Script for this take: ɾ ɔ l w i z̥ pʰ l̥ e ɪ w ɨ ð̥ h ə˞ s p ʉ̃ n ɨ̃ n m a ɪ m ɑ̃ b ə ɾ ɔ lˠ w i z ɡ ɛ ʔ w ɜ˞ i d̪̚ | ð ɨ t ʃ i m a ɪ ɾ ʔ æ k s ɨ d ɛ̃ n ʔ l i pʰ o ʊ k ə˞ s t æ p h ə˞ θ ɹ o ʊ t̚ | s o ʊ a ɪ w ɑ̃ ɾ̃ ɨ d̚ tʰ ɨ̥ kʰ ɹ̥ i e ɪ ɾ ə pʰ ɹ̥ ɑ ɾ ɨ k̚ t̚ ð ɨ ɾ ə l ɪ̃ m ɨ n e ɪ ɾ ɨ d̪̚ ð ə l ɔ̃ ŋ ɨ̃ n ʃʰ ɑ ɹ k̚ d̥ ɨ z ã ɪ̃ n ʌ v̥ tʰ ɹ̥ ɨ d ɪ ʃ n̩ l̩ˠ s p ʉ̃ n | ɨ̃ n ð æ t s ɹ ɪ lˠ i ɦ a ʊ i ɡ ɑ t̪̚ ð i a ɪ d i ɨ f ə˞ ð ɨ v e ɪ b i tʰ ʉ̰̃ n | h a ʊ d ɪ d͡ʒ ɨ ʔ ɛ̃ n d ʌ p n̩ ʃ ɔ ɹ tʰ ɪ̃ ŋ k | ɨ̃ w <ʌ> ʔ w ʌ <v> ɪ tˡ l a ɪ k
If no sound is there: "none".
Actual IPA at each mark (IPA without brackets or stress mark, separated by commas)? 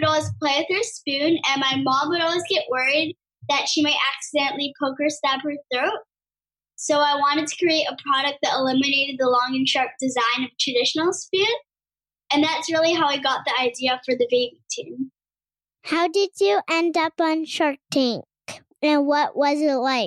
ʌ, z